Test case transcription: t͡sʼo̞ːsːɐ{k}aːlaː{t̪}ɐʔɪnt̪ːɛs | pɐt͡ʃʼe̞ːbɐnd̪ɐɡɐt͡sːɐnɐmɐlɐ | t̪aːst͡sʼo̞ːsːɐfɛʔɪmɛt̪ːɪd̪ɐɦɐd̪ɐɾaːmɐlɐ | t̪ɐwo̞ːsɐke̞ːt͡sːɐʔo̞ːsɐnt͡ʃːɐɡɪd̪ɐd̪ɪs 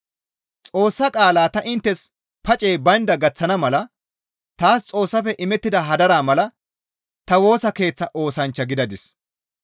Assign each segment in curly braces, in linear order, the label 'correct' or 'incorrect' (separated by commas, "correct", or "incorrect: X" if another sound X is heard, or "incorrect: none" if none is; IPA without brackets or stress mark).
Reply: incorrect: kʼ, correct